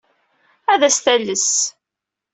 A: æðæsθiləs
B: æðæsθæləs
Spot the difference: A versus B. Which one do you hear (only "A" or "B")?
B